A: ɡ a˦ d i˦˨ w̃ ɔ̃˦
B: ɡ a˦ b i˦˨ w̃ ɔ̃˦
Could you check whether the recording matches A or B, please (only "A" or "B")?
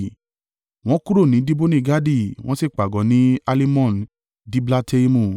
A